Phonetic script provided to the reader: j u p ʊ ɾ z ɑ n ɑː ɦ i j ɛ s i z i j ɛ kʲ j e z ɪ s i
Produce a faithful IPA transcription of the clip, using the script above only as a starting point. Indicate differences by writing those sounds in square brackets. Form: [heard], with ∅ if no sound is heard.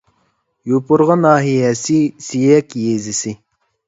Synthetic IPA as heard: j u p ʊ ɾ [ʁ] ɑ n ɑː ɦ i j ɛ s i [s] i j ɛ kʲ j e z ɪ s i